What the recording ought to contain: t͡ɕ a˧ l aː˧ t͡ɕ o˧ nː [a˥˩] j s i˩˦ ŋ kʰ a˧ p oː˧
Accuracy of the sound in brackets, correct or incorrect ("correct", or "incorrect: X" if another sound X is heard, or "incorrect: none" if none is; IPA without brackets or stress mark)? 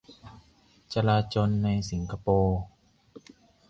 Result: incorrect: a˧